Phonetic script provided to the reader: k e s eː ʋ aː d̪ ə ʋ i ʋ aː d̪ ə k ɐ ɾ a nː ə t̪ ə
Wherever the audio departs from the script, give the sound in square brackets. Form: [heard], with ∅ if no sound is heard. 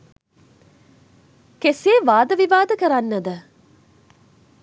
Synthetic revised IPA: k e s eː ʋ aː d̪ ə ʋ i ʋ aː d̪ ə k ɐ ɾ a nː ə [d̪] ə